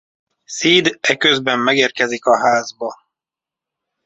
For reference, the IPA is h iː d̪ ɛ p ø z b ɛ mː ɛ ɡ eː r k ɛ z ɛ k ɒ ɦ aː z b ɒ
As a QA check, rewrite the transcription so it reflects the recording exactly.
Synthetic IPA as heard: s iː d̪ ɛ k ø z b ɛ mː ɛ ɡ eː r k ɛ z i k ɒ ɦ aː z b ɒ